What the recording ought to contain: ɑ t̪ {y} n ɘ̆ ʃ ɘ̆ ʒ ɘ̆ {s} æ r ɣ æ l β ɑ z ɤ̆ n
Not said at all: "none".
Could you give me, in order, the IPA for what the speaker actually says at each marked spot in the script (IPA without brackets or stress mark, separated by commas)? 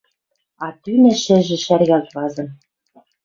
y, ʃ